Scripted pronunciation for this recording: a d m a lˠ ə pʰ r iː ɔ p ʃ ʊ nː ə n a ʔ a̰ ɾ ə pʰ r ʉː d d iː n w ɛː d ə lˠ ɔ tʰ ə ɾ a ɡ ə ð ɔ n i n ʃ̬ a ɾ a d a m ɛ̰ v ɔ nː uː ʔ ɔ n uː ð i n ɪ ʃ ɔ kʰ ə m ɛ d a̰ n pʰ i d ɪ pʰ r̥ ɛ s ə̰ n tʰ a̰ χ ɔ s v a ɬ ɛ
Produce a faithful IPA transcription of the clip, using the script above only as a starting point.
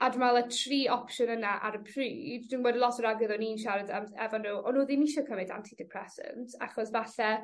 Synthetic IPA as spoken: a d m a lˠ ə tʰ r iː ɔ p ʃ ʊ n ə n a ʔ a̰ ɾ ə pʰ r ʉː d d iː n w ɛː d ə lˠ ɔ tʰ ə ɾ a ɡ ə ð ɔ n i n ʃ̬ a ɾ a d a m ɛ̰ v ɔ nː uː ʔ ɔ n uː ð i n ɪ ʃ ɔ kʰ ə m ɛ d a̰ n tʰ i d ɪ pʰ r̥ ɛ s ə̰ n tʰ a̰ χ ɔ s v a ɬ ɛ